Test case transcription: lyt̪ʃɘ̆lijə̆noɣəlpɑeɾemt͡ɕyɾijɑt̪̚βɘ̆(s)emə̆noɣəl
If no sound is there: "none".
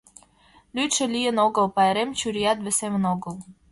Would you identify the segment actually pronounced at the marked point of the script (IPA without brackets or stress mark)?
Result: s